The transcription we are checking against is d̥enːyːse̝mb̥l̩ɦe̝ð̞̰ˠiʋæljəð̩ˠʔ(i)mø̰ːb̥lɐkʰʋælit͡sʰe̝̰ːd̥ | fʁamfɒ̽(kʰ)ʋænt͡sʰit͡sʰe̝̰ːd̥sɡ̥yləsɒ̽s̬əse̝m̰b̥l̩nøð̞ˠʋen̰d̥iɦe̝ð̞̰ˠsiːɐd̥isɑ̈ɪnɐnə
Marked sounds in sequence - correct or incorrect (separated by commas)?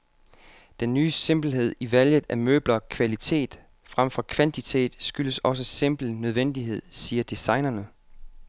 incorrect, correct